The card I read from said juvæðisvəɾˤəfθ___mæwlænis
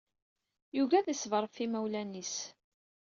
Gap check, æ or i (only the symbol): i